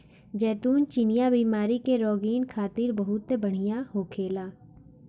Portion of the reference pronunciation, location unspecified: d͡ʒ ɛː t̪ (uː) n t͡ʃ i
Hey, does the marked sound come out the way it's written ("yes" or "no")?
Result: yes